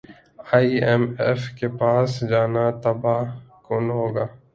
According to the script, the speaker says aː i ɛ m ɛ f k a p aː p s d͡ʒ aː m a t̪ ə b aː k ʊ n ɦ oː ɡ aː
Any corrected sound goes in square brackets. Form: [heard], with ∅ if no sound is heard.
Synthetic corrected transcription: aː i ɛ m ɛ f k [e] p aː [∅] s d͡ʒ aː [n] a t̪ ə b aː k ʊ n ɦ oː ɡ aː

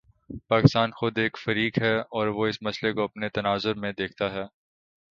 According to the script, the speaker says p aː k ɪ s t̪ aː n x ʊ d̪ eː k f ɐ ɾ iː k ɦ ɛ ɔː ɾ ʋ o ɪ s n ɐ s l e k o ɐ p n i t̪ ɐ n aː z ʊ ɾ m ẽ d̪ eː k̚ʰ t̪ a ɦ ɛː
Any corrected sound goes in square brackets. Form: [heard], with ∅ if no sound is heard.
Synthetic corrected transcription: p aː k ɪ s t̪ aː n x ʊ d̪ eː k f ɐ ɾ iː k ɦ ɛ ɔː ɾ ʋ o ɪ s [m] ɐ s l e k o ɐ p n [e] t̪ ɐ n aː z ʊ ɾ m ẽ d̪ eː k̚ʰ t̪ a ɦ ɛː

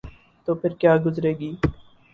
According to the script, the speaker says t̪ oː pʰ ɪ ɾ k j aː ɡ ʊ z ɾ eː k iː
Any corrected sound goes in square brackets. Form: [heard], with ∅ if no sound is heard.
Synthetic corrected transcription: t̪ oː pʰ ɪ ɾ k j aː ɡ ʊ z ɾ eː [ɡ] iː

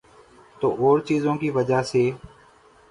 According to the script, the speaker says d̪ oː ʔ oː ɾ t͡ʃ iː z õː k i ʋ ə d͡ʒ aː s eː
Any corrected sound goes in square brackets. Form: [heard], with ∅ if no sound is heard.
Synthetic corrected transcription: [t̪] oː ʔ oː ɾ t͡ʃ iː z õː k [iː] ʋ ə d͡ʒ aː s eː

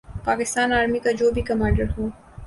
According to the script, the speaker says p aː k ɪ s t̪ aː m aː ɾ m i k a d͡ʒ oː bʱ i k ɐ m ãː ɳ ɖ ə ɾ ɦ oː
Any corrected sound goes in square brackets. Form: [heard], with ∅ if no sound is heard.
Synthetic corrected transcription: p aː k ɪ s t̪ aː [n] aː ɾ m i k a d͡ʒ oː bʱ i k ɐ m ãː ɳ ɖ ə ɾ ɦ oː

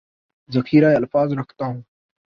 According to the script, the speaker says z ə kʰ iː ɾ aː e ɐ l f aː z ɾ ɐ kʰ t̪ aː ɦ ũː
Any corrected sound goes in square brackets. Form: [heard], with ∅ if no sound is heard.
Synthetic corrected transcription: z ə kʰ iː ɾ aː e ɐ l f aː z ɾ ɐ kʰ t̪ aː ɦ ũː

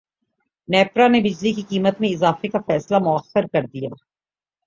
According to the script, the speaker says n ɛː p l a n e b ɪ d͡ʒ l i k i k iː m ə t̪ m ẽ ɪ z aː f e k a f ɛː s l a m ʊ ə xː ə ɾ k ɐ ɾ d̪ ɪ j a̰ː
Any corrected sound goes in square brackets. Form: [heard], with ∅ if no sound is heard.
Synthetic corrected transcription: n ɛː p [ɾ] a n e b ɪ d͡ʒ l i k i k iː m ə t̪ m ẽ ɪ z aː f e k a f ɛː s l a m ʊ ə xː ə ɾ k ɐ ɾ d̪ [i] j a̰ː

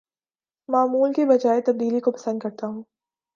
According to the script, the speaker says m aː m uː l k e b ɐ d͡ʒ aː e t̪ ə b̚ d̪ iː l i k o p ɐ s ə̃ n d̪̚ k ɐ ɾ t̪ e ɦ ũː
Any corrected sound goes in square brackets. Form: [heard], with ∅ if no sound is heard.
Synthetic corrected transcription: m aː m uː l k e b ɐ d͡ʒ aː e t̪ [ɐ] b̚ d̪ iː l i k o p ɐ s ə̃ n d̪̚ k ɐ ɾ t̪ [a] ɦ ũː

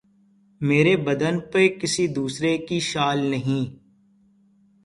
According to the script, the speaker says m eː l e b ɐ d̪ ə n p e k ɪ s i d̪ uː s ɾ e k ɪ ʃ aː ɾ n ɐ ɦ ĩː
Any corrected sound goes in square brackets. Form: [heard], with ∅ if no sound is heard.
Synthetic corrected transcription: m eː [ɾ] e b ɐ d̪ ə n p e k ɪ s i d̪ uː s ɾ e k [i] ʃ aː [l] n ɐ ɦ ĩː

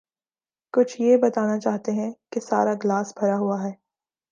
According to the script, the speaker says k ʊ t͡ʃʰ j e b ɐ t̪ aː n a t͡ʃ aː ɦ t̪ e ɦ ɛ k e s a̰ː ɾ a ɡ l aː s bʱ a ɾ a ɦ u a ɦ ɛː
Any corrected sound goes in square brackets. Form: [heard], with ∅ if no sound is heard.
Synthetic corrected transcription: k ʊ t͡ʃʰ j e b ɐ t̪ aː n a t͡ʃ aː ɦ t̪ e ɦ [ɛ̃] k e s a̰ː ɾ a ɡ l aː s bʱ [ɐ] ɾ a ɦ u a ɦ ɛː

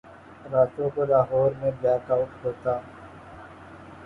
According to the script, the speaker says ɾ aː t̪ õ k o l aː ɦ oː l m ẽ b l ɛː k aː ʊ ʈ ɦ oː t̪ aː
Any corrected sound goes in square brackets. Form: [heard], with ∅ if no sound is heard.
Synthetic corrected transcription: ɾ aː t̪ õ k o l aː ɦ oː [ɾ] m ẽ b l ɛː k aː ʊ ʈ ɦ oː t̪ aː

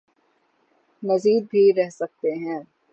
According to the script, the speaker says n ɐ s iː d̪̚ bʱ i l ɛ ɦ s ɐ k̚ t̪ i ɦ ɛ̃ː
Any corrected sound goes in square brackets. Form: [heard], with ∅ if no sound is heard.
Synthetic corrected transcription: n ɐ [z] iː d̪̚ bʱ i [ɾ] ɛ ɦ s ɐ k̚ t̪ [e] ɦ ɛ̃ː

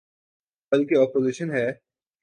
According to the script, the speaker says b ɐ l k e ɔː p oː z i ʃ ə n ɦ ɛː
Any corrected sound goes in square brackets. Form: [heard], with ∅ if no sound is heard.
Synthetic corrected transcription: b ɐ l k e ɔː p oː z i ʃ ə n ɦ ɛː

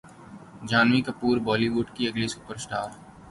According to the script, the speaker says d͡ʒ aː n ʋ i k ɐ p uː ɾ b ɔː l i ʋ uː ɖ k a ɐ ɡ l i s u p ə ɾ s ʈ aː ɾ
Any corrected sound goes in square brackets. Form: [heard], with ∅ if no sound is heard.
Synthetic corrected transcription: d͡ʒ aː n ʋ i k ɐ p uː ɾ b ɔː l i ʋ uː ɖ k [i] ɐ ɡ l i s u p ə ɾ s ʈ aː ɾ

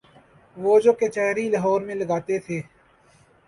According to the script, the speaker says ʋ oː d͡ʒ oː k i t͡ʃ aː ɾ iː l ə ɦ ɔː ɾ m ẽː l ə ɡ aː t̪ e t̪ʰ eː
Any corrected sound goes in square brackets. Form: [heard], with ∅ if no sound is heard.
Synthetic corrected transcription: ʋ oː d͡ʒ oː k [e] t͡ʃ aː ɾ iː l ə ɦ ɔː ɾ m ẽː l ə ɡ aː t̪ e t̪ʰ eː

